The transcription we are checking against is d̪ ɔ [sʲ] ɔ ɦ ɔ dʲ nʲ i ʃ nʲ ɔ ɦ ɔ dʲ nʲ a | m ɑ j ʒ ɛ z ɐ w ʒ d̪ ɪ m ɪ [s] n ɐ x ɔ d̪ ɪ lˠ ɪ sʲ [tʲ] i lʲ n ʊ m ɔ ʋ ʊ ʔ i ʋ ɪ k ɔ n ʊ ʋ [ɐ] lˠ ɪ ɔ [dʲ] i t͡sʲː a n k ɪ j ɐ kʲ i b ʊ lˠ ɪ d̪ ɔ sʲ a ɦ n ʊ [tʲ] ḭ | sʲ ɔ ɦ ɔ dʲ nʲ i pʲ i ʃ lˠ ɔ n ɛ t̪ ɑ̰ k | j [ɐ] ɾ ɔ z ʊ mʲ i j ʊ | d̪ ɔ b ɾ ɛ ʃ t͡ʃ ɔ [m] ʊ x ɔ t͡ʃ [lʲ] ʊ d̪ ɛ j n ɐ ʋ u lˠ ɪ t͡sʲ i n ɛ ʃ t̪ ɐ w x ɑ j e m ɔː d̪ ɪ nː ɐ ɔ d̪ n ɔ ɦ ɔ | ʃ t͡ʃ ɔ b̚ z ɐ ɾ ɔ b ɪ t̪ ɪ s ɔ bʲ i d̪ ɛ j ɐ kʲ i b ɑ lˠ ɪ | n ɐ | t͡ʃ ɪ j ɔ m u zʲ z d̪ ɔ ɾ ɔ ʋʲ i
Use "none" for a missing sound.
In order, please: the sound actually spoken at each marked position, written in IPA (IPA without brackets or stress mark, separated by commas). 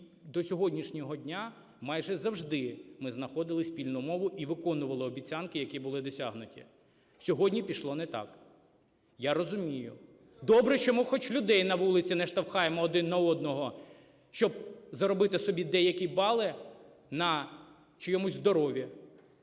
sʲ, z, pʲ, ɐ, bʲ, tʲ, a, m, lʲ